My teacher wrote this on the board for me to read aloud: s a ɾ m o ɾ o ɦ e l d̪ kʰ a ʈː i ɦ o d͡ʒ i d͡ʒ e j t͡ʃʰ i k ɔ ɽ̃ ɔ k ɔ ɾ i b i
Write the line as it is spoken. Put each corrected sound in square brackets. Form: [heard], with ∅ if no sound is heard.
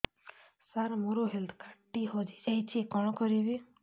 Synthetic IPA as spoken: s a ɾ m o ɾ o ɦ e l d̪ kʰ a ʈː i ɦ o d͡ʒ i d͡ʒ [a] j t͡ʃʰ i k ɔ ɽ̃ ɔ k ɔ ɾ i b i